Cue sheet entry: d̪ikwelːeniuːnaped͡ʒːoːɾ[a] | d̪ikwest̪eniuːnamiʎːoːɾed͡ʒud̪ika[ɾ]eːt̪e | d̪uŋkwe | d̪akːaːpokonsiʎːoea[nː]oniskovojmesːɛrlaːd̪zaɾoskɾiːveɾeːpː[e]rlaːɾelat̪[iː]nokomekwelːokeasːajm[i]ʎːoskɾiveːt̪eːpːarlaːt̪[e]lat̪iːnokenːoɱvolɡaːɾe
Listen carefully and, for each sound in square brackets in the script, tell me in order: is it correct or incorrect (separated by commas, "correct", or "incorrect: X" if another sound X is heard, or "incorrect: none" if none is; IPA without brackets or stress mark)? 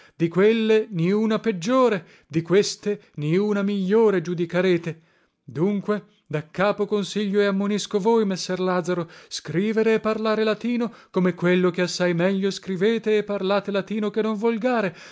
incorrect: e, correct, incorrect: mː, incorrect: a, correct, incorrect: ɛ, correct